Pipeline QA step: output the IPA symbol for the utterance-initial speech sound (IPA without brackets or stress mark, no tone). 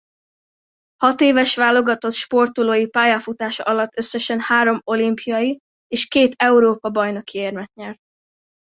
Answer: h